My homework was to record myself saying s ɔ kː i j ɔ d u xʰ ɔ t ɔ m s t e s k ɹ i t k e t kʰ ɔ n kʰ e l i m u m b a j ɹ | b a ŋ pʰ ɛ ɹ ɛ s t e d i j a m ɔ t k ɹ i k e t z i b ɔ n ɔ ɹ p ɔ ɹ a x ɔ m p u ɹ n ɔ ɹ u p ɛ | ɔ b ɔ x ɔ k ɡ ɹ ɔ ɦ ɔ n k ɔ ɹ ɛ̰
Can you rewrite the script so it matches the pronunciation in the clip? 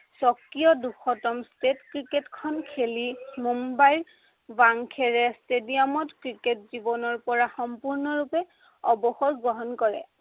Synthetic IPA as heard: s ɔ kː i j ɔ d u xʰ ɔ t ɔ m s t e t k ɹ i k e t kʰ ɔ n kʰ e l i m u m b a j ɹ | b a ŋ kʰ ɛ ɹ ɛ s t e d i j a m ɔ t k ɹ i k e t z i b ɔ n ɔ ɹ p ɔ ɹ a x ɔ m p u ɹ n ɔ ɹ u p ɛ | ɔ b ɔ x ɔ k ɡ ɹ ɔ ɦ ɔ n k ɔ ɹ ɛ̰